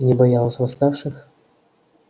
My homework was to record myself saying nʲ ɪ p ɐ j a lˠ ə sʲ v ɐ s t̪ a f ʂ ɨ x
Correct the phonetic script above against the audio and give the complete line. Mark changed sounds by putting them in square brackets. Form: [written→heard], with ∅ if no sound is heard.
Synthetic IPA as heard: nʲ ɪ [p→b] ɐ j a lˠ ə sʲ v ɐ s t̪ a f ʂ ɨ x